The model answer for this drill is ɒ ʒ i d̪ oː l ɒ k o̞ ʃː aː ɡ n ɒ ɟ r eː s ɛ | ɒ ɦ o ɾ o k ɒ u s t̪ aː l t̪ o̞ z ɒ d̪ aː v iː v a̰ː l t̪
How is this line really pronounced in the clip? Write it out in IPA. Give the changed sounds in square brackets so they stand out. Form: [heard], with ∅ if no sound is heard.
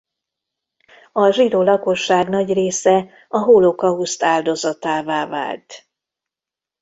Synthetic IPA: ɒ ʒ i d̪ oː l ɒ k o̞ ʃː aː ɡ n ɒ ɟ r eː s ɛ | ɒ ɦ o [l] o k ɒ u s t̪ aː l [d̪] o̞ z ɒ [t̪] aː v [aː] v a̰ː l t̪